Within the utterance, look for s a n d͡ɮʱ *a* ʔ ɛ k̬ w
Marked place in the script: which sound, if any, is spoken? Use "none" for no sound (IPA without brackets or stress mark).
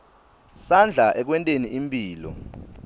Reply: a